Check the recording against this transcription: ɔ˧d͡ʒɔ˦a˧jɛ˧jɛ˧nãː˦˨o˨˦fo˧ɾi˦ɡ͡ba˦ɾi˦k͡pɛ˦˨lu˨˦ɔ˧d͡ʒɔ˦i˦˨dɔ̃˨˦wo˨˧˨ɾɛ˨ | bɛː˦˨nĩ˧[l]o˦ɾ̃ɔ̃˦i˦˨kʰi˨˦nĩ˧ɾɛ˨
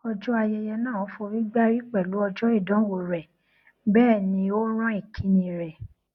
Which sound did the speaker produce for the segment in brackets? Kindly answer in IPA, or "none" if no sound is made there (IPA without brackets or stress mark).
none